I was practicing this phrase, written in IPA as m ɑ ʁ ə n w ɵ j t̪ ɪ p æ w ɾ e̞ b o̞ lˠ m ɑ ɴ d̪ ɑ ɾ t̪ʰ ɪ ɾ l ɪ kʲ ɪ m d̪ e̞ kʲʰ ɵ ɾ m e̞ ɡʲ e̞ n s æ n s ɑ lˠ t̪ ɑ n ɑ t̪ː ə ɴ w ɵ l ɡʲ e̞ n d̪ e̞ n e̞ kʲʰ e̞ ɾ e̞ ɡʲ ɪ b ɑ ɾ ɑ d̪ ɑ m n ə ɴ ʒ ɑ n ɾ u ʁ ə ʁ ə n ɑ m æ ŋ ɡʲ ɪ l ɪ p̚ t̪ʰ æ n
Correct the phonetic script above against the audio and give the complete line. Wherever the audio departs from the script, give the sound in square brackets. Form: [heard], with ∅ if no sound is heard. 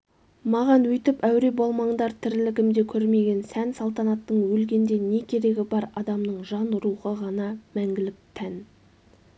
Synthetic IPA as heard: m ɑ ʁ [ɑ] n w ɵ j t̪ ɪ p æ w ɾ e̞ b o̞ lˠ m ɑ ɴ d̪ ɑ ɾ t̪ʰ ɪ ɾ l ɪ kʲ ɪ m d̪ e̞ kʲʰ ɵ ɾ m e̞ ɡʲ e̞ n s æ n s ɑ lˠ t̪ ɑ n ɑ t̪ː ə ɴ w ɵ l ɡʲ e̞ n d̪ e̞ n e̞ kʲʰ e̞ ɾ e̞ ɡʲ ɪ b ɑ ɾ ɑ d̪ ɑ m n ə ɴ ʒ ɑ n ɾ u ʁ ə ʁ [ɑ] n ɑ m æ ŋ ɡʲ ɪ l ɪ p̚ t̪ʰ æ n